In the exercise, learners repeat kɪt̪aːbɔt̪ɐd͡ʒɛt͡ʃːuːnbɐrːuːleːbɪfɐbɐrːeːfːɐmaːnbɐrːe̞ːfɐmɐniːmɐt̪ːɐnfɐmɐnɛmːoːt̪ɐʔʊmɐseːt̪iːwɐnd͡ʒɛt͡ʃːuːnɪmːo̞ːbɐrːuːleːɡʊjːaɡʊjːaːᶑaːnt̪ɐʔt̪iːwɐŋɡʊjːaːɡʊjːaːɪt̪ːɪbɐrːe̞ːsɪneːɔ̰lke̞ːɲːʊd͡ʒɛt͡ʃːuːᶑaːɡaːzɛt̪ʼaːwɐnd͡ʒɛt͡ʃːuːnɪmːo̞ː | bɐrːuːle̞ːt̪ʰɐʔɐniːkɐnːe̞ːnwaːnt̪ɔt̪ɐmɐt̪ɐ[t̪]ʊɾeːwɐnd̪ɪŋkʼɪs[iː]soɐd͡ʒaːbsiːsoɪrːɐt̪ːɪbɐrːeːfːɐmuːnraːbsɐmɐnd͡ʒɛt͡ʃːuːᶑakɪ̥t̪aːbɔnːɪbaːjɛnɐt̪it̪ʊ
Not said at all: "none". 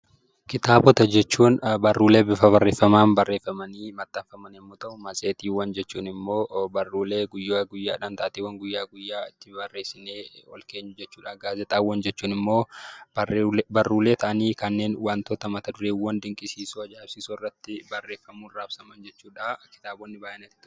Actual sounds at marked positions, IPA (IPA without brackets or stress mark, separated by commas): d̪, iː